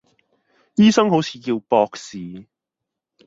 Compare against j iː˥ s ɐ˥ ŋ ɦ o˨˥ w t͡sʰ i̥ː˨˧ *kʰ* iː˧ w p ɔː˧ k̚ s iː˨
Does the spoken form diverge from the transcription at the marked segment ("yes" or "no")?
yes